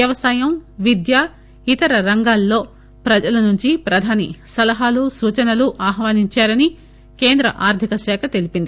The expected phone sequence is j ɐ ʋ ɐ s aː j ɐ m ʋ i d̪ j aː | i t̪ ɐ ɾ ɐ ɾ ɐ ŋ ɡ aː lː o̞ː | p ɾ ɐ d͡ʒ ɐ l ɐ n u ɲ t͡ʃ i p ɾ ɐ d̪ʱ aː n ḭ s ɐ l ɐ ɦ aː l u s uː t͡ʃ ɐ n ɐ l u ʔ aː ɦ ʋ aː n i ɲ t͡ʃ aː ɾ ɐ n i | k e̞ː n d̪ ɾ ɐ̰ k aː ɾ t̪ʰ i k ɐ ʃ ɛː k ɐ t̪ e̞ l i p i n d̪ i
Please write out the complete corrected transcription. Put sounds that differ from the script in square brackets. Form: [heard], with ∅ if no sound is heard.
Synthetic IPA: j ɐ ʋ ɐ s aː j ɐ m ʋ i d̪ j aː | i t̪ ɐ ɾ ɐ ɾ ɐ ŋ ɡ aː lː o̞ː | p ɾ ɐ d͡ʒ ɐ l ɐ n u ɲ t͡ʃ i p ɾ ɐ d̪ʱ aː n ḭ s ɐ l ɐ ɦ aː l u s uː t͡ʃ ɐ n ɐ l u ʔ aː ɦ ʋ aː n i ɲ t͡ʃ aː ɾ ɐ n i | k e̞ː n d̪ ɾ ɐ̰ [ʔ] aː ɾ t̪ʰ i k ɐ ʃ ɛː k ɐ t̪ e̞ l i p i n d̪ i